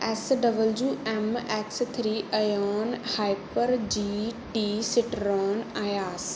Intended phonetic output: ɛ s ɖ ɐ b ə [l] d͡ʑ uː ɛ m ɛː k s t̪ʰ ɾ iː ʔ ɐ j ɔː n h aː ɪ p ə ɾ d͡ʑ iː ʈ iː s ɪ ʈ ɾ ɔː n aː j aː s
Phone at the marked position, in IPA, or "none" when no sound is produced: l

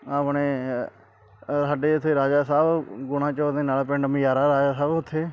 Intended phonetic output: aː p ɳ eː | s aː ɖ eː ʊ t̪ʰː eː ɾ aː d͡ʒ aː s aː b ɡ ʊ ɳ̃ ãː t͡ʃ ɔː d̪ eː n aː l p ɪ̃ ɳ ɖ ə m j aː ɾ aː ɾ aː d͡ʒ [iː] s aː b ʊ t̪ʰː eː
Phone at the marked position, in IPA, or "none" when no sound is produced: aː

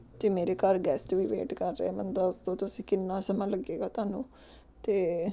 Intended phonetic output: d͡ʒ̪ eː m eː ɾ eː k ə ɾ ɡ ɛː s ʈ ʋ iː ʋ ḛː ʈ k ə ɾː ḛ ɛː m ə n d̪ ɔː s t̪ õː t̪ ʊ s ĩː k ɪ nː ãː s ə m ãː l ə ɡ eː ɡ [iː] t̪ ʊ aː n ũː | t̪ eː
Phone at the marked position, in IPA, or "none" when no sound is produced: aː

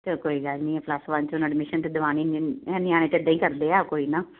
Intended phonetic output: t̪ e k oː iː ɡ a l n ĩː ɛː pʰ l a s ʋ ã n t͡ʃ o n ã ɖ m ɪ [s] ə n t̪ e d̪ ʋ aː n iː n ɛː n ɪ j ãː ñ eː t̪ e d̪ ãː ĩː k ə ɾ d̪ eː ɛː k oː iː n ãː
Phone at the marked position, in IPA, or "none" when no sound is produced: ʃ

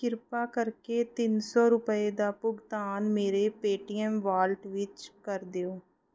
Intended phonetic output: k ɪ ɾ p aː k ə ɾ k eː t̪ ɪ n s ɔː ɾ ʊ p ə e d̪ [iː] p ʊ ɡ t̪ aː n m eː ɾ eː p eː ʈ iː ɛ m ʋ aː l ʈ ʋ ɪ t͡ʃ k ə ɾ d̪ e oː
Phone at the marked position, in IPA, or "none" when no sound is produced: aː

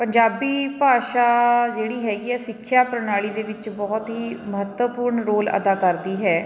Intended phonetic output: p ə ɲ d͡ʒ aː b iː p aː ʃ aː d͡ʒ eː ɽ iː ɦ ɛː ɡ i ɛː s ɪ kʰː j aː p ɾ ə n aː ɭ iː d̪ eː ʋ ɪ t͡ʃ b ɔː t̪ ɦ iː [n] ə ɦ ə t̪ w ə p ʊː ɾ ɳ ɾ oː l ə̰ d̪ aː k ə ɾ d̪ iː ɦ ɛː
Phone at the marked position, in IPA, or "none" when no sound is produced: m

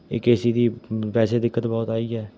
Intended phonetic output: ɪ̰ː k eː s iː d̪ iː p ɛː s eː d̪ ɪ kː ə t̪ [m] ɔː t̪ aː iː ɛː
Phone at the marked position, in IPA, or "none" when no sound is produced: b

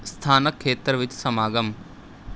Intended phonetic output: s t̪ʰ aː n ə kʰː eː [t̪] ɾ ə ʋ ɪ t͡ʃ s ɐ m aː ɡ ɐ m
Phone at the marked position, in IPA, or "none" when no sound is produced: t̪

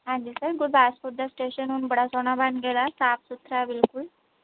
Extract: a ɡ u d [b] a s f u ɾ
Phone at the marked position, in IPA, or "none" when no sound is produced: b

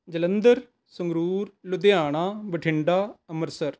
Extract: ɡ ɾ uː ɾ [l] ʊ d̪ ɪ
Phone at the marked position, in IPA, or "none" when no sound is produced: l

